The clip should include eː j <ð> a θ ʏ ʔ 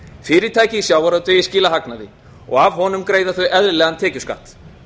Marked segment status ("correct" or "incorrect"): correct